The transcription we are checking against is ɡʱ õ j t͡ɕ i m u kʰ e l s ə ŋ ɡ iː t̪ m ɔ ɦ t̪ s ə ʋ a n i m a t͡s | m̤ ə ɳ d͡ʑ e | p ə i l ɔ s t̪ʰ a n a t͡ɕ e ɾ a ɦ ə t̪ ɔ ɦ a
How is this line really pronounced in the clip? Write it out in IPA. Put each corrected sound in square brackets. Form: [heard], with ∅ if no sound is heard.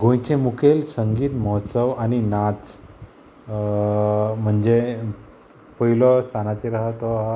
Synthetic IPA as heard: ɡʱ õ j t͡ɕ [e] m u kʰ e l s ə ŋ ɡ iː t̪ m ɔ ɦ t̪ s ə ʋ a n i [n] a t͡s | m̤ ə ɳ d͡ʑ e | p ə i l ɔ s t̪ʰ a n a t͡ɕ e ɾ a ɦ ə t̪ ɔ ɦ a

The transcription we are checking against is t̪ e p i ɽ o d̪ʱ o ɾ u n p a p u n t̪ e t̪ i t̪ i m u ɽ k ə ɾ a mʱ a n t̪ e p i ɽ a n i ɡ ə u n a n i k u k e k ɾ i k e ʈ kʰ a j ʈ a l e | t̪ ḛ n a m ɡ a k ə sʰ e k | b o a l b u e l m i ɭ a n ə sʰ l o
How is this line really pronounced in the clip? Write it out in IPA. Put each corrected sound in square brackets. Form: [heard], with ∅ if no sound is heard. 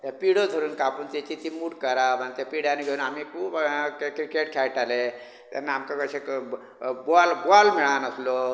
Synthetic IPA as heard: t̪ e p i ɽ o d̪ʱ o ɾ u n [k] a p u n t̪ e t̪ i t̪ i m u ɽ k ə ɾ a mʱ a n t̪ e p i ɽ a n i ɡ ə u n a [m] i k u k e k ɾ i k e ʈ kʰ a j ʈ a l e | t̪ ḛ n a m [k] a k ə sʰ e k | b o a l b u [a] l m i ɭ a n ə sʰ l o

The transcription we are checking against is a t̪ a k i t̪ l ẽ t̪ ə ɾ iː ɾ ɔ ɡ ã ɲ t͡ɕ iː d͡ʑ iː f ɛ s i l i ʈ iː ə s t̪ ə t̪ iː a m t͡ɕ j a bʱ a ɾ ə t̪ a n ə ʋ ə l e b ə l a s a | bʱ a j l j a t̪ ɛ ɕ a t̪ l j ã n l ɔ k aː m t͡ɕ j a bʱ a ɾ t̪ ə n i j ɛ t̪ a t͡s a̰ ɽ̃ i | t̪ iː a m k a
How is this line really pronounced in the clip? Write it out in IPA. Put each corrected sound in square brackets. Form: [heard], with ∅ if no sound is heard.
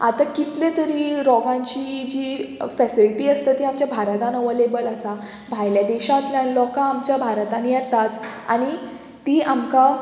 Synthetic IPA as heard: a t̪ a k i t̪ l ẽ t̪ ə ɾ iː ɾ ɔ ɡ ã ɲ t͡ɕ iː d͡ʑ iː f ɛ s i l i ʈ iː ə s t̪ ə t̪ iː a m t͡ɕ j a bʱ a ɾ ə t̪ a n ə ʋ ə l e b ə l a s a | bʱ a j l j a [d̪] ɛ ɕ a t̪ l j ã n l ɔ k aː m t͡ɕ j a bʱ a ɾ t̪ [a] n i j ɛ t̪ a t͡s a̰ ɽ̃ i | t̪ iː a m k a

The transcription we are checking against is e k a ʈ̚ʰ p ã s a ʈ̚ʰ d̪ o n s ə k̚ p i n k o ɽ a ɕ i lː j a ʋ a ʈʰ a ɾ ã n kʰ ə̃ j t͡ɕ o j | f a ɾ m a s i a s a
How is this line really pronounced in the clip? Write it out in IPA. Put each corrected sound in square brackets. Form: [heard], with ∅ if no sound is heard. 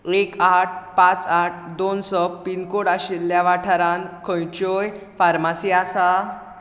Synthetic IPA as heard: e k a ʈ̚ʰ p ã [t͡s] a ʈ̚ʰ d̪ o n s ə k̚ p i n k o ɽ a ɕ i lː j a ʋ a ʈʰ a ɾ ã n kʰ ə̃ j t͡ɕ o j | f a ɾ m a s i a s a

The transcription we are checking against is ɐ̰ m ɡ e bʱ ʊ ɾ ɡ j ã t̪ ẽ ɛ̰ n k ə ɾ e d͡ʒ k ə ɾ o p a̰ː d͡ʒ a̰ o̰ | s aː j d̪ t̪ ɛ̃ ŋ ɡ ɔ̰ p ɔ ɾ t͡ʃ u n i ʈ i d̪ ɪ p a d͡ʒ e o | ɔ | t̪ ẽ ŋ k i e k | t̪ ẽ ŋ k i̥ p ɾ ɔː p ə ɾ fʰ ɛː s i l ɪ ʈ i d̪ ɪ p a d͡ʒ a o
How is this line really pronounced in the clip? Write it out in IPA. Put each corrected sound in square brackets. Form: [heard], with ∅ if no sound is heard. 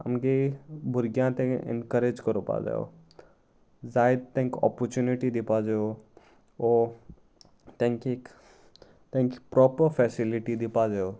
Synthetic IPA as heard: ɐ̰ m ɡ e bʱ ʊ ɾ ɡ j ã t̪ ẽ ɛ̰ n k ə ɾ e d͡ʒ k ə ɾ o p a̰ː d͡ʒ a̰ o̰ | [z] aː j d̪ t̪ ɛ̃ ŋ [k] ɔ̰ p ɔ ɾ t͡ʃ u n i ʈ i d̪ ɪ p a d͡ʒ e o | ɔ | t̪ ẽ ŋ k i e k | t̪ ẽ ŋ k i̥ p ɾ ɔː p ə ɾ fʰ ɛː s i l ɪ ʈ i d̪ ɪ p a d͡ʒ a o

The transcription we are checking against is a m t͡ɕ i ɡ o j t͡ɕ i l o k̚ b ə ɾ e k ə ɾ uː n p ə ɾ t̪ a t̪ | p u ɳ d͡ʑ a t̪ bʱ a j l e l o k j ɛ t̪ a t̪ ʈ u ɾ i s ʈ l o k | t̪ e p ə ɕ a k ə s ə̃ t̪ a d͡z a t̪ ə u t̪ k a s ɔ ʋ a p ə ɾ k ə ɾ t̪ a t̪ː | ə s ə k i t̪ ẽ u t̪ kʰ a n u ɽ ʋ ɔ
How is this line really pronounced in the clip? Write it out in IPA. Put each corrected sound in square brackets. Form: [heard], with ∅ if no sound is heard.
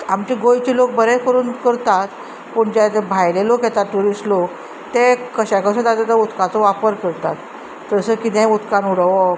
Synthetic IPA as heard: a m t͡ɕ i ɡ o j t͡ɕ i l o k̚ b ə ɾ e k ə ɾ uː n [k] ə ɾ t̪ a t̪ | p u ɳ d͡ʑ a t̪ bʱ a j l e l o k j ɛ t̪ a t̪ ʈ u ɾ i s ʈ l o k | t̪ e [k] ə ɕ a k ə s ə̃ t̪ a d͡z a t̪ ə u t̪ k a [t͡s] ɔ ʋ a p ə ɾ k ə ɾ t̪ a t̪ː | ə s ə k i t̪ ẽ u t̪ [k] a n u ɽ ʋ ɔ

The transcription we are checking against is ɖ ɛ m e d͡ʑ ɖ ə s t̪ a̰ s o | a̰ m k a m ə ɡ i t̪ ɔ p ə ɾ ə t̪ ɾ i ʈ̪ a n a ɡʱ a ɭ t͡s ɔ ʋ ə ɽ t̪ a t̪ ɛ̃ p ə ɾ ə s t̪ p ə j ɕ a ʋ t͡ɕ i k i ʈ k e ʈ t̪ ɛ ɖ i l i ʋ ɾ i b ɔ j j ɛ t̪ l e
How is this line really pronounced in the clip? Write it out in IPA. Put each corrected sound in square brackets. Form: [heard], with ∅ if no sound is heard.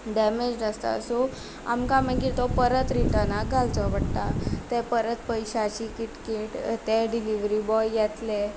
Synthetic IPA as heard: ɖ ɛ m e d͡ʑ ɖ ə s t̪ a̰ s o | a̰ m k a m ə ɡ i t̪ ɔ p ə ɾ ə t̪ ɾ i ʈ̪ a n a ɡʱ a [l] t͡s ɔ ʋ ə ɽ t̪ a t̪ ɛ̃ p ə ɾ ə [∅] t̪ p ə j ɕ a [∅] t͡ɕ i k i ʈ k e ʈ t̪ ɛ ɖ i l i ʋ ɾ i b ɔ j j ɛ t̪ l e

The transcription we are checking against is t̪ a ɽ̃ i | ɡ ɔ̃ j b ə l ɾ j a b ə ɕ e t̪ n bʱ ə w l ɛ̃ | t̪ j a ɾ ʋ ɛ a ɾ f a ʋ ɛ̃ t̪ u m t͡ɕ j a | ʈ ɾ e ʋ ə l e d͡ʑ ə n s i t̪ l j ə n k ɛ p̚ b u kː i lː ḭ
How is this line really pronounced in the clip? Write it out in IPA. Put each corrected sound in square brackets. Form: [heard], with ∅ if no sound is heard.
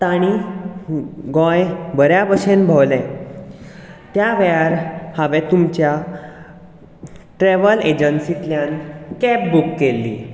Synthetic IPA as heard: t̪ a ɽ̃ i | ɡ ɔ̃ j b ə [∅] ɾ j a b ə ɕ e [∅] n bʱ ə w l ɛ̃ | t̪ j a [∅] ʋ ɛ a ɾ [h] a ʋ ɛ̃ t̪ u m t͡ɕ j a | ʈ ɾ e ʋ ə l e d͡ʑ ə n s i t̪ l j [a] n k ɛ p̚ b u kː [e] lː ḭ

